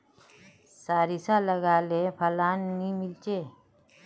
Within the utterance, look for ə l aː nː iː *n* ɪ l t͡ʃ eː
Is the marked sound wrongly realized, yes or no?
yes